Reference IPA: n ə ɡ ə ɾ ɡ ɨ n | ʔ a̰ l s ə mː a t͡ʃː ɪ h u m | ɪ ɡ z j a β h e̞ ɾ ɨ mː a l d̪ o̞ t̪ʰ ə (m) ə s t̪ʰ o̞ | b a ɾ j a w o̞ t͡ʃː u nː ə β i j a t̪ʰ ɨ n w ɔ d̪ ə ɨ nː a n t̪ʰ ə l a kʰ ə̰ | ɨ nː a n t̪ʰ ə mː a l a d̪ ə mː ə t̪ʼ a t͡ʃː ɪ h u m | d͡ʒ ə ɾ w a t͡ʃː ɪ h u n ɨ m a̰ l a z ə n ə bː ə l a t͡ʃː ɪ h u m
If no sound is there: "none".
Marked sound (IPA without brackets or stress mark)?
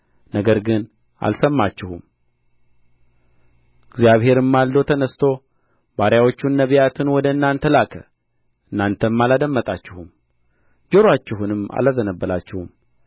n